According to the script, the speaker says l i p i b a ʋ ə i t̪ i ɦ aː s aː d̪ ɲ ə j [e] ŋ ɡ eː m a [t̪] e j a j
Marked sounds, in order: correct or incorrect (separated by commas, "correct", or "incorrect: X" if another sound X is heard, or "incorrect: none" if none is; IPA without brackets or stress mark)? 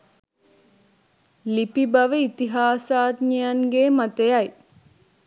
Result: incorrect: a, correct